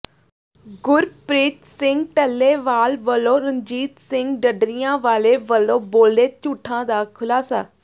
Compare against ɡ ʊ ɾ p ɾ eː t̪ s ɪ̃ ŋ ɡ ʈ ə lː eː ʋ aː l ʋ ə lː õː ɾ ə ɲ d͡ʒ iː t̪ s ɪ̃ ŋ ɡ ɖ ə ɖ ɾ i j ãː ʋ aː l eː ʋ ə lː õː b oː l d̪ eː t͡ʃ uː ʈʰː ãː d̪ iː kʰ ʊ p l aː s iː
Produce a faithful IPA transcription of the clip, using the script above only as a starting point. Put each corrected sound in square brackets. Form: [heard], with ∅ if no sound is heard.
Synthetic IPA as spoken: ɡ ʊ ɾ p ɾ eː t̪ s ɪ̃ ŋ ɡ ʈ ə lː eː ʋ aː l ʋ ə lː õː ɾ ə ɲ d͡ʒ iː t̪ s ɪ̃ ŋ ɡ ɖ ə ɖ ɾ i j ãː ʋ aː l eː ʋ ə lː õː b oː l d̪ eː t͡ʃ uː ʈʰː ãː d̪ [aː] kʰ ʊ [∅] l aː s [aː]